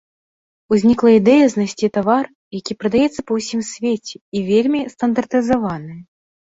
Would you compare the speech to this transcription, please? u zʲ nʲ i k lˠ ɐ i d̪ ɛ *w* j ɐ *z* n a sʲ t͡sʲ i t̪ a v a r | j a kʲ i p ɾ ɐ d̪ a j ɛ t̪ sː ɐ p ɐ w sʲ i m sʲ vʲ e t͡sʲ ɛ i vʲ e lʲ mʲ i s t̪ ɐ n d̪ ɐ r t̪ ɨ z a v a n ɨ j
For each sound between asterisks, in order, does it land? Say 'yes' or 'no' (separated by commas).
no, yes